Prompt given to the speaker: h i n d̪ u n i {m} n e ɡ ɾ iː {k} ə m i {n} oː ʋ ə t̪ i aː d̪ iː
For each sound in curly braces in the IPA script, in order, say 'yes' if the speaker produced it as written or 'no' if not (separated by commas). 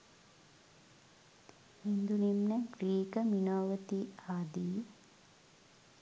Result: yes, yes, yes